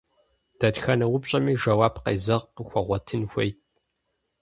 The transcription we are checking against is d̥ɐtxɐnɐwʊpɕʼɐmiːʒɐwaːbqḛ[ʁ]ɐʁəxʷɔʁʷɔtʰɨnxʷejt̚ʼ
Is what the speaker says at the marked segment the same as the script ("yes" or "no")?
no